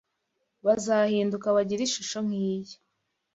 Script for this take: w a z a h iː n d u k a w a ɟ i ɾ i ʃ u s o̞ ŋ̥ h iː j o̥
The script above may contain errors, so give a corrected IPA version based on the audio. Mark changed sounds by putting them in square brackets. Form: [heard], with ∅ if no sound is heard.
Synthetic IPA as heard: [β] a z a h iː n d u k a [β] a ɟ i ɾ i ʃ u [ʃ] o̞ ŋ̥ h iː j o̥